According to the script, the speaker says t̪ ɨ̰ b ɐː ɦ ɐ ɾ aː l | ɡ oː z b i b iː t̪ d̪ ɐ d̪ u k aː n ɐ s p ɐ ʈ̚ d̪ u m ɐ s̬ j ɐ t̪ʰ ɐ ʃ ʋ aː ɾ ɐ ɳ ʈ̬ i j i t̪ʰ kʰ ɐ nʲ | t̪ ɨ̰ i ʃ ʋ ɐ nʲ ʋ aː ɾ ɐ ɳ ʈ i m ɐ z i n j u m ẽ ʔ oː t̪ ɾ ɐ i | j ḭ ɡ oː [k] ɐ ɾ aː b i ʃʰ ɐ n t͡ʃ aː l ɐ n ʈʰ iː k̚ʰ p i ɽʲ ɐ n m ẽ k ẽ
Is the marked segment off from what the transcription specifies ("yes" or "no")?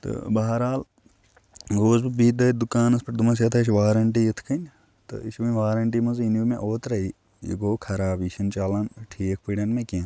yes